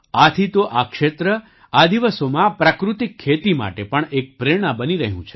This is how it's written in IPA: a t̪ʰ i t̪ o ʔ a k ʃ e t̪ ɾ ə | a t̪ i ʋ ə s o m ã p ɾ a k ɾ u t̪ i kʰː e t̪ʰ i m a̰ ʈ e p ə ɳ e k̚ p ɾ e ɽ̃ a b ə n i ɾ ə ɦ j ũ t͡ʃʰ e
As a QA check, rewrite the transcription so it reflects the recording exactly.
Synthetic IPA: a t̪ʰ i t̪ o ʔ a k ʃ e t̪ ɾ ə | a d̪ i ʋ ə s o m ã p ɾ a k ɾ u t̪ i kʰː e t̪ i m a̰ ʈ e p ə ɳ e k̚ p ɾ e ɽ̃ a b ə n i ɾ ə ɦ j ũ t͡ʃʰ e